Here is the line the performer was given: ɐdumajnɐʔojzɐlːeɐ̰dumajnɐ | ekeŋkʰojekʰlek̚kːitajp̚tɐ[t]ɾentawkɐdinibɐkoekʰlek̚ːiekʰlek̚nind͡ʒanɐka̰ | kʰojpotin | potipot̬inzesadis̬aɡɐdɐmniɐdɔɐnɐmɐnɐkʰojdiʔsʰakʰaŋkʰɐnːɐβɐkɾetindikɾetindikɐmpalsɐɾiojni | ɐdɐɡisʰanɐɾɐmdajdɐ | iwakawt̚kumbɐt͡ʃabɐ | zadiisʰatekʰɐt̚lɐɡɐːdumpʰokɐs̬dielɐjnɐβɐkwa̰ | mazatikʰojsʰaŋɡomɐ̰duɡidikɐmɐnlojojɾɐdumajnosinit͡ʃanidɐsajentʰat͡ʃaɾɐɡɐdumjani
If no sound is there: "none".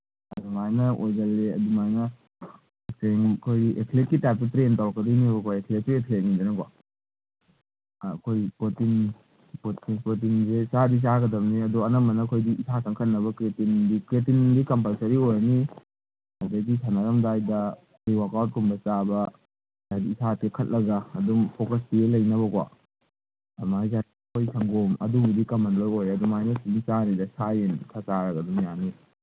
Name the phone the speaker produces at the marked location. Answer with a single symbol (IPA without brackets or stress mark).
t